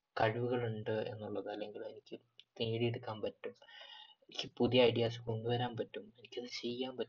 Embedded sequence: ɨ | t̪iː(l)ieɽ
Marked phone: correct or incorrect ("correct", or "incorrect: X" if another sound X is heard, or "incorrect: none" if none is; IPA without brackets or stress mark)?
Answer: incorrect: ɽ